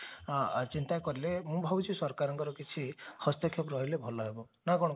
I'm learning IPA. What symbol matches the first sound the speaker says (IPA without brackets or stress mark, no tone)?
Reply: t͡ʃ